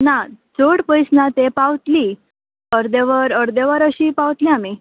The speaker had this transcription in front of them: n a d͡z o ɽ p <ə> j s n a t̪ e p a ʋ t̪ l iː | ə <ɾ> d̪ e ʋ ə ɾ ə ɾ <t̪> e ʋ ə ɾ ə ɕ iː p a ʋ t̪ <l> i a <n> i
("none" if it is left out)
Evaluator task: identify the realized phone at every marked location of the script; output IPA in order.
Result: ə, ɾ, d̪, l, m

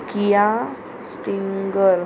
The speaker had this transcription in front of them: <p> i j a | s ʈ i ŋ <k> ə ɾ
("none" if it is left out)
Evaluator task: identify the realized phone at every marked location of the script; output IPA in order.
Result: k, ɡ

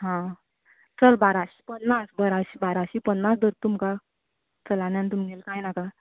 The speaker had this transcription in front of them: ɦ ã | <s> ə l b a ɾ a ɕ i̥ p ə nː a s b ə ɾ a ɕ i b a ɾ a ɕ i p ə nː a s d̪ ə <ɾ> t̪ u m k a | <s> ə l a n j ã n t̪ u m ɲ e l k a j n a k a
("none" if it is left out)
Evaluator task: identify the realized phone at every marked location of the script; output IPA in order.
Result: t͡s, ɾ, t͡s

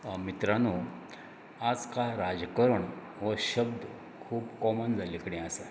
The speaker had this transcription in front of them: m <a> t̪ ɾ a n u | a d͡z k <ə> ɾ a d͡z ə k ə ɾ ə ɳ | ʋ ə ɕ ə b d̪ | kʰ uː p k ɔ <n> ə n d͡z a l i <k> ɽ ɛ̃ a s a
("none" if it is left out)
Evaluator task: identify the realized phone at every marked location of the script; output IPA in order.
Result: i, a, m, k

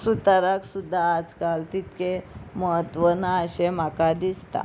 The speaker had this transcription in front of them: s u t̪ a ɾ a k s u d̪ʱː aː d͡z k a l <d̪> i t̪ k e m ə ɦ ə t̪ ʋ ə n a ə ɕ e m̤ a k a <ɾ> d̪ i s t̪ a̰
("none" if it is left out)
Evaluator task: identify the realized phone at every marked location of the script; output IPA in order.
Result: t̪, none

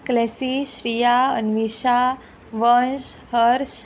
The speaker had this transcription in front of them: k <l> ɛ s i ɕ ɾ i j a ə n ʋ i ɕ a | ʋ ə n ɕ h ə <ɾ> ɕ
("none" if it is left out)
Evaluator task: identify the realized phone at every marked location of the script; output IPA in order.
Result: l, ɾ

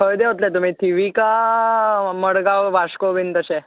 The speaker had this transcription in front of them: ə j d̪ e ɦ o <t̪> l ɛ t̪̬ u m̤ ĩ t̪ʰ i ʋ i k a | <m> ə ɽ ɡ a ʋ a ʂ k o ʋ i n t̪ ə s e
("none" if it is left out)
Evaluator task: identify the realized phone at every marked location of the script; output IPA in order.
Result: t̪, m

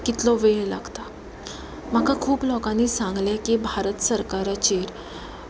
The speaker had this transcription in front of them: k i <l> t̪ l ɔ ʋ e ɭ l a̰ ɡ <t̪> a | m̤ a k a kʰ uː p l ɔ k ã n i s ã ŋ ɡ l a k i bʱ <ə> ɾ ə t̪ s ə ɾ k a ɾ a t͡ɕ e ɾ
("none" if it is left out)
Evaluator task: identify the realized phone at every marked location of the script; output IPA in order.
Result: none, t̪, a

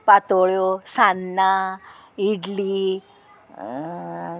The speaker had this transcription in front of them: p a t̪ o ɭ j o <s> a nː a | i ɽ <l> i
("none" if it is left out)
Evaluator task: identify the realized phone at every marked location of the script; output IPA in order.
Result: s, l

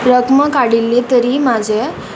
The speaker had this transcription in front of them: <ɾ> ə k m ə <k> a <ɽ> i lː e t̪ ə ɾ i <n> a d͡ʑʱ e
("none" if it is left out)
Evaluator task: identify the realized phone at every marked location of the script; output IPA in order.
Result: ɾ, k, ɽ, m

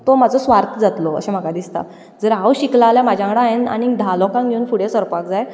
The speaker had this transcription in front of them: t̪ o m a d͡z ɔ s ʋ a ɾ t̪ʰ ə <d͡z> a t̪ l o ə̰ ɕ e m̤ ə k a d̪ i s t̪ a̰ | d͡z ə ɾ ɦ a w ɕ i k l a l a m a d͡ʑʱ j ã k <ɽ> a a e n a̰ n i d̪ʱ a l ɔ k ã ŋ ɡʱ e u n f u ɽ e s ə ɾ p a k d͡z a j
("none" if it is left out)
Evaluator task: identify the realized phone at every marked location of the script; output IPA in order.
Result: d͡z, ɽ

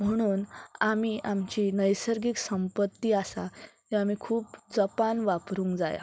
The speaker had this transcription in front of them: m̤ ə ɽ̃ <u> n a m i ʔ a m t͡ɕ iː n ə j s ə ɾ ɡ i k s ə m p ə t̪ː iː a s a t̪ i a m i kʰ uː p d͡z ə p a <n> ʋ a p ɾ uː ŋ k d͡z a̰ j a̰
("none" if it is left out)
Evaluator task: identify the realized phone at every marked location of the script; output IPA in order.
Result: uː, n

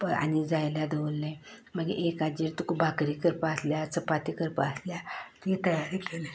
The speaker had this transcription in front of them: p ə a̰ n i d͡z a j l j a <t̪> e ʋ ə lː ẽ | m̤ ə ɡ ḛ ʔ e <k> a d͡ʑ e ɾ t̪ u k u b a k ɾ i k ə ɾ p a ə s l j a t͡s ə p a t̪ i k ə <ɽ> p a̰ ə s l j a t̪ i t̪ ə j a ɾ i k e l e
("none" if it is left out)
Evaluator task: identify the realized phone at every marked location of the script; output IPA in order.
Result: d̪, k, ɾ

